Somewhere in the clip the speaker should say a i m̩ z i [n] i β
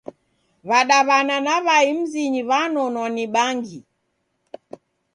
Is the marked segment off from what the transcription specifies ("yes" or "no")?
yes